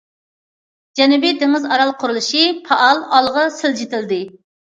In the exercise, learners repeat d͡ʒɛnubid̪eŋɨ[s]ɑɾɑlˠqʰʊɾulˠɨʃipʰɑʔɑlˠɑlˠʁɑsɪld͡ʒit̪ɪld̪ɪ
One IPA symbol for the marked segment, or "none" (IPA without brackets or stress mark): z